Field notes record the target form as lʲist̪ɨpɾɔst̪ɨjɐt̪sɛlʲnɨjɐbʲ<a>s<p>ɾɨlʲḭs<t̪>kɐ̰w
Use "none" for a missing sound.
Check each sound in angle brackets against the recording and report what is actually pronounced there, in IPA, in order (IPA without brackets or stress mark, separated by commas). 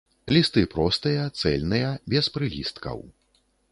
ɛ, p, t̪